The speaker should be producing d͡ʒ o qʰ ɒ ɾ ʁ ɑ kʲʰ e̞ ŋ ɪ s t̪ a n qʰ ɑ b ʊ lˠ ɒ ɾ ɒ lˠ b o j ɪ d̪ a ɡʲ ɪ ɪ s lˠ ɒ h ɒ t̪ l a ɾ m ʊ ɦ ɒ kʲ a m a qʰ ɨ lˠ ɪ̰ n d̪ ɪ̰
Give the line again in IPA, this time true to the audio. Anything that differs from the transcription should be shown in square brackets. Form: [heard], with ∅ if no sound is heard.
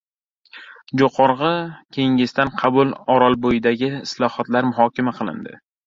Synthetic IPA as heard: d͡ʒ o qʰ ɒ ɾ ʁ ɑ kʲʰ e̞ ŋ ɪ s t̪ a n qʰ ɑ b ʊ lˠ ɒ ɾ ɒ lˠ b o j ɪ d̪ a ɡʲ ɪ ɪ s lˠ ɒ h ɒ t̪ l a ɾ m ʊ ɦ ɒ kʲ a m a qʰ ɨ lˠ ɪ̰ n d̪ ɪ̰

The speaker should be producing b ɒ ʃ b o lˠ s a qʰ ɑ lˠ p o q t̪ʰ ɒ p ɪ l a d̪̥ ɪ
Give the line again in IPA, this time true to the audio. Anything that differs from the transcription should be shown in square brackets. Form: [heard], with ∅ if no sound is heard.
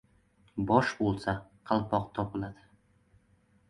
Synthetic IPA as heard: b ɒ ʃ b o lˠ s a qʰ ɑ lˠ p [ɒ] q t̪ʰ ɒ p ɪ l a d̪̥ ɪ

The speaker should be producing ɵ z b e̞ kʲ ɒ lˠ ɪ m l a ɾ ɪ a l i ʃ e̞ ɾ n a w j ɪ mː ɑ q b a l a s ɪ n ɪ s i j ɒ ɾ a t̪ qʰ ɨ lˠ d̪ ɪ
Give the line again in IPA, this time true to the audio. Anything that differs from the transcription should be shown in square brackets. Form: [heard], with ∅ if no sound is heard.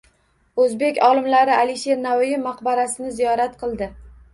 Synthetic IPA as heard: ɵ z b e̞ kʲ ɒ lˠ ɪ m l a ɾ ɪ a l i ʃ e̞ ɾ n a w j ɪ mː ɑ q b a [ɾ] a s ɪ n ɪ [z] i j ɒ ɾ a t̪ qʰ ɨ lˠ d̪ ɪ

